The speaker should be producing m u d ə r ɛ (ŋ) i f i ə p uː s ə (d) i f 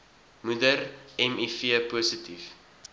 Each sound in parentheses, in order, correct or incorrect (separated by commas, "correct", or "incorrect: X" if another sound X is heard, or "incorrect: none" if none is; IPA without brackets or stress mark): incorrect: m, incorrect: t